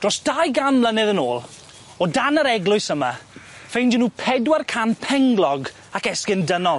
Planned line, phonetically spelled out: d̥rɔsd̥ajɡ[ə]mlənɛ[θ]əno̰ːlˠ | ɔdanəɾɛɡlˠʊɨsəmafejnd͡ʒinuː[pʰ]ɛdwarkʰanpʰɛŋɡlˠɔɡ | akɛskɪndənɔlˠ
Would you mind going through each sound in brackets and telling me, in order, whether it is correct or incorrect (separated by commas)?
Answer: incorrect, incorrect, correct